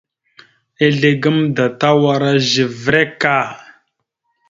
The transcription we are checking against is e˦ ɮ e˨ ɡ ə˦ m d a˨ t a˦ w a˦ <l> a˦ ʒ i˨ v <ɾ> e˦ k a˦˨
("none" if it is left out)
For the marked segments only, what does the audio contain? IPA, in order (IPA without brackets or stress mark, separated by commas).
ɾ, ɾ